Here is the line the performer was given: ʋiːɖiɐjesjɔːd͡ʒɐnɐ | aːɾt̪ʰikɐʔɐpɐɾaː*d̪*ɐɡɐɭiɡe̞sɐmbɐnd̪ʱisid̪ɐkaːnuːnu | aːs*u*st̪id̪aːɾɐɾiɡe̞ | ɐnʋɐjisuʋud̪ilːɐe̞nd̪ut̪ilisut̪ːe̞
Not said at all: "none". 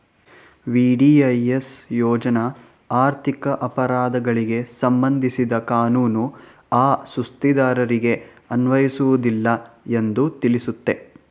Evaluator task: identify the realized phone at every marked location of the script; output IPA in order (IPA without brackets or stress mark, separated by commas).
d̪, u